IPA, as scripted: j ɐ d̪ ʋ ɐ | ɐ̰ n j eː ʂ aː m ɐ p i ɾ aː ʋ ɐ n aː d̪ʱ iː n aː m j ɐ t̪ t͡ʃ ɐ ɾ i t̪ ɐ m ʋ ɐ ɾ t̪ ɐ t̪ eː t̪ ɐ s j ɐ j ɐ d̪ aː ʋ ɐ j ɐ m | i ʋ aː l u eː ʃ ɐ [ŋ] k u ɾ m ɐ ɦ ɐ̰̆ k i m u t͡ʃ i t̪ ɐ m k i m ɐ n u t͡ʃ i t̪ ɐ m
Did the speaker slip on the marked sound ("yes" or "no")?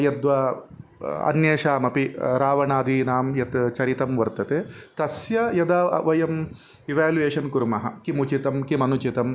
yes